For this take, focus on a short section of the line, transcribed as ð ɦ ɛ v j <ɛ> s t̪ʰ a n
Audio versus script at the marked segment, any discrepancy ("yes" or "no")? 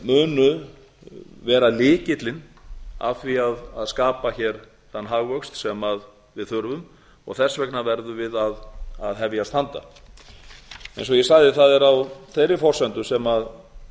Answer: yes